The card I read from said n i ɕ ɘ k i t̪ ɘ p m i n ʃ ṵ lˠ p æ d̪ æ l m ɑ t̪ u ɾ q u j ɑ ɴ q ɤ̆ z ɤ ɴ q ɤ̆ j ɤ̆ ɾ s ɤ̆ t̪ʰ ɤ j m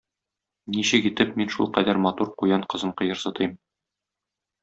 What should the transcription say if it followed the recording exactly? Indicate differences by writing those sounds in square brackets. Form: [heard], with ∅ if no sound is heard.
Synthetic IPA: n i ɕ ɘ k i t̪ ɘ p m i n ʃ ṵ lˠ [q] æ d̪ æ [ɾ] m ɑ t̪ u ɾ q u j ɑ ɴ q ɤ̆ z ɤ ɴ q ɤ̆ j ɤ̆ ɾ s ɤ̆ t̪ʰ ɤ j m

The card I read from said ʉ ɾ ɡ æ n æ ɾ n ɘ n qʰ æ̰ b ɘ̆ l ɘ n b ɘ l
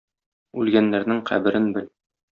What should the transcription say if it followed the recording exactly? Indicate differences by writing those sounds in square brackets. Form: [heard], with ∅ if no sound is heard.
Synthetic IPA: ʉ [l] ɡ æ [nː] æ ɾ n ɘ [ŋ] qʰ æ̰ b ɘ̆ [ɾ] ɘ n b ɘ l

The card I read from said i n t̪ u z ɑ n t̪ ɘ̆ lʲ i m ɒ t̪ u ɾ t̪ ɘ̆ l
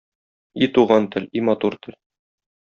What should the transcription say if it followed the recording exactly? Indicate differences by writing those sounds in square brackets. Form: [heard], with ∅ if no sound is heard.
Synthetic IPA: i [∅] t̪ u [ʁ] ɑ n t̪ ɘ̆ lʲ i m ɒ t̪ u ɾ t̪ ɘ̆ l

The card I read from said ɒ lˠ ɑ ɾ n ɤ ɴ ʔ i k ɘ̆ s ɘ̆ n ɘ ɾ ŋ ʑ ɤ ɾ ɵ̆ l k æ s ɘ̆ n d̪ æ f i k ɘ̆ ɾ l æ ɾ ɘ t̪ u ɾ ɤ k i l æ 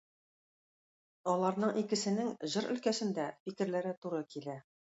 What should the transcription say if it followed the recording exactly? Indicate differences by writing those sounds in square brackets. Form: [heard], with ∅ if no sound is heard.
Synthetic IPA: ɒ lˠ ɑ ɾ n ɤ ɴ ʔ i k ɘ̆ s ɘ̆ n ɘ [∅] ŋ ʑ ɤ ɾ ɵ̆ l k æ s ɘ̆ n d̪ æ f i k ɘ̆ ɾ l æ ɾ ɘ t̪ u ɾ ɤ k i l æ

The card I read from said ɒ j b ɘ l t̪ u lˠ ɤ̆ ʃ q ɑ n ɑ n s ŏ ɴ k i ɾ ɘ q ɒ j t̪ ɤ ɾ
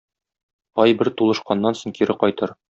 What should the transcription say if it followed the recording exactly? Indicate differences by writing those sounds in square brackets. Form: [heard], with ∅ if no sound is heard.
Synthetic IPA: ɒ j b ɘ [ɾ] t̪ u lˠ ɤ̆ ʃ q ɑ [nː] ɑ n s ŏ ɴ k i ɾ ɘ q ɒ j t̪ ɤ ɾ

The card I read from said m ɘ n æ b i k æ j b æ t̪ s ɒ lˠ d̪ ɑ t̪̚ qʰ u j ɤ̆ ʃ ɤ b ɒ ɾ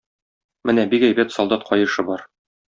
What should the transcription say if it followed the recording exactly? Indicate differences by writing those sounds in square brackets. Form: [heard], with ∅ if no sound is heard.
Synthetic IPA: m ɘ n æ b i k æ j b æ t̪ s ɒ lˠ d̪ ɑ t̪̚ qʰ [ɒ] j ɤ̆ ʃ ɤ b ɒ ɾ

